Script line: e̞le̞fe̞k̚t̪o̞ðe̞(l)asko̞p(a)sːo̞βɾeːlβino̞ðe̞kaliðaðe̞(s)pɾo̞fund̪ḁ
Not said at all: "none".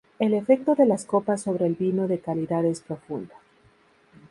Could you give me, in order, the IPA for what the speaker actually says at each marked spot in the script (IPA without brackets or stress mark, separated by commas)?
l, a, s